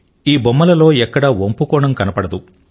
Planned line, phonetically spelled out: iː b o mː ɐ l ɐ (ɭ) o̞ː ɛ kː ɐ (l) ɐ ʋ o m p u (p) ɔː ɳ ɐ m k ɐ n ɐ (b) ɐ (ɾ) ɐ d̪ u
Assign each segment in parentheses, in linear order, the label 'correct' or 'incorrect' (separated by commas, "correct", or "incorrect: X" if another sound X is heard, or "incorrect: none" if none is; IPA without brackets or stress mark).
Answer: incorrect: l, incorrect: ɽ, incorrect: k, incorrect: p, incorrect: ɽ